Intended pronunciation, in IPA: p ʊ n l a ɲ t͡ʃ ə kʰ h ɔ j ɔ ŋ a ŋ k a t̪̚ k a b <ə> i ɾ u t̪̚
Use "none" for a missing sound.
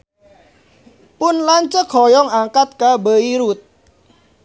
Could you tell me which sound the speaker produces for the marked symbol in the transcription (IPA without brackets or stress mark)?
ə